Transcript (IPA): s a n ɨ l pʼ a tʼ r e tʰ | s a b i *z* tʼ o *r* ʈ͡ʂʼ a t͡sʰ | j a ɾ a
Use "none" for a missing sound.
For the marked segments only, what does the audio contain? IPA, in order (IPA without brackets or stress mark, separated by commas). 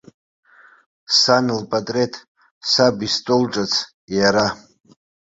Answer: s, l